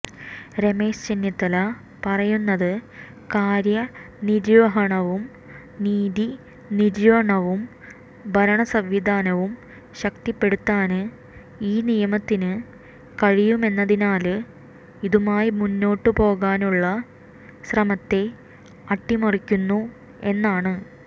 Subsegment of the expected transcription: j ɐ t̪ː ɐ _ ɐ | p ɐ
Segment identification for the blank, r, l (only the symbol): l